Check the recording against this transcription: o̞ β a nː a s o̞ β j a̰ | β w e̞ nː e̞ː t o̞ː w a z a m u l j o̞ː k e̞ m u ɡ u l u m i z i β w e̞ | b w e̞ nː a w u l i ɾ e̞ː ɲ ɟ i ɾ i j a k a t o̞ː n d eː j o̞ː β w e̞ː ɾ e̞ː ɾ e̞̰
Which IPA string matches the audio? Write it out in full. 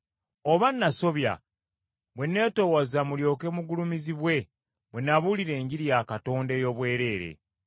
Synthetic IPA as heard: o̞ β a nː a s o̞ β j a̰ | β w e̞ nː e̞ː t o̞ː w a z a m u l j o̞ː k e̞ m u ɡ u l u m i z i β w e̞ | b w e̞ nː a β u l i ɾ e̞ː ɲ ɟ i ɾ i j a k a t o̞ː n d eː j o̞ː β w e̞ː ɾ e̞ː ɾ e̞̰